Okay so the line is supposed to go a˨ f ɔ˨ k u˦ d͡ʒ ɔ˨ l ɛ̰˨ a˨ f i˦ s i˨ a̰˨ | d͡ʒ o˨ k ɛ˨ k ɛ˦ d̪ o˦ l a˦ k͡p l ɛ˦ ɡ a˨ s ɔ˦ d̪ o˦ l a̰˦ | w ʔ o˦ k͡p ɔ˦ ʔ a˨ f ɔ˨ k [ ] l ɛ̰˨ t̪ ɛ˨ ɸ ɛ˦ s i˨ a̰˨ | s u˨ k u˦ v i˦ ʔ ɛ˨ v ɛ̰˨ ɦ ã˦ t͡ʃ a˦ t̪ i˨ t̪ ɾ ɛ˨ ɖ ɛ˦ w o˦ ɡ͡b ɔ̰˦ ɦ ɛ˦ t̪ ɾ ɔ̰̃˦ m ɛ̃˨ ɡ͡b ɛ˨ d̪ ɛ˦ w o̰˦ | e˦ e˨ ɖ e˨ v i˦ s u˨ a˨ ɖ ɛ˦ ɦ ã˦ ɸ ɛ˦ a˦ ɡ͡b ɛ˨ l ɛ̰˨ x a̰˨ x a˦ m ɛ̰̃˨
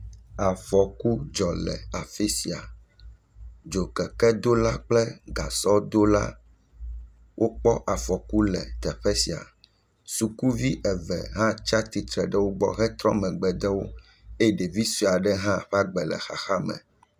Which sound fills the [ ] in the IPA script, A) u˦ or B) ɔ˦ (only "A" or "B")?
A